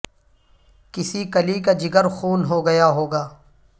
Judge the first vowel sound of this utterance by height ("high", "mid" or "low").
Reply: high